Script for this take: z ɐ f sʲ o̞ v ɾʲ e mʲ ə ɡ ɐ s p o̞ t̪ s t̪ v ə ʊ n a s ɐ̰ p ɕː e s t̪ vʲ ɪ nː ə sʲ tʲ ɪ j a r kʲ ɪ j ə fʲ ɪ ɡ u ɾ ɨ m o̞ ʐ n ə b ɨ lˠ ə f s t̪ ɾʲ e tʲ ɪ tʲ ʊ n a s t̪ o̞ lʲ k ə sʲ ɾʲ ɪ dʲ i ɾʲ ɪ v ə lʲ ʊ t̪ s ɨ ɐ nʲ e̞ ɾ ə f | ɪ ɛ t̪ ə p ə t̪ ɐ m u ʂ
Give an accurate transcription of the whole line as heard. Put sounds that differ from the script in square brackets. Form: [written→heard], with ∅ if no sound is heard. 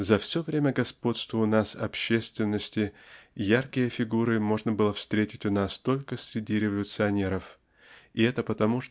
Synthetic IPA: z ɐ f sʲ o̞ v ɾʲ e mʲ ə ɡ ɐ s p o̞ t̪ s t̪ v ə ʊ n a s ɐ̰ p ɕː e s t̪ vʲ ɪ nː ə sʲ tʲ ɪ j a r kʲ ɪ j ə fʲ ɪ ɡ u ɾ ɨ m o̞ ʐ n ə b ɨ lˠ ə f s t̪ ɾʲ e tʲ ɪ tʲ ʊ n a s t̪ o̞ lʲ k ə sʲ ɾʲ ɪ dʲ i ɾʲ ɪ v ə lʲ ʊ t̪ s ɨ ɐ nʲ e̞ ɾ ə f | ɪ ɛ t̪ ə p ə t̪ ɐ m u ʂ